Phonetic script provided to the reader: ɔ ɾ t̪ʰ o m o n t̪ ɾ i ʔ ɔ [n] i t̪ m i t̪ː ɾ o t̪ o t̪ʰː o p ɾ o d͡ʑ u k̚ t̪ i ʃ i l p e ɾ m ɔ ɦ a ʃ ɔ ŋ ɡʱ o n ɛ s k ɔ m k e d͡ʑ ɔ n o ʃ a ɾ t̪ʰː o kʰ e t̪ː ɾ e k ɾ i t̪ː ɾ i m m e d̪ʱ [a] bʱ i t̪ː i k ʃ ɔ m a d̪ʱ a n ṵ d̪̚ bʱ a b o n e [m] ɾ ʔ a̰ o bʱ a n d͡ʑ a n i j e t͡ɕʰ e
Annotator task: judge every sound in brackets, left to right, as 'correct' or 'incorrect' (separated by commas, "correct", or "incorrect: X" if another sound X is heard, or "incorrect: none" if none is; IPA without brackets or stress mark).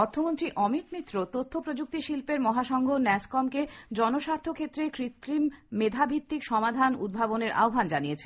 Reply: incorrect: m, correct, incorrect: none